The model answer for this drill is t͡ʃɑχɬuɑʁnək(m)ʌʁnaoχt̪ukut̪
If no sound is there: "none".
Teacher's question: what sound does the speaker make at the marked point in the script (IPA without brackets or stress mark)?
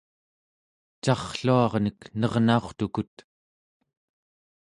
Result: n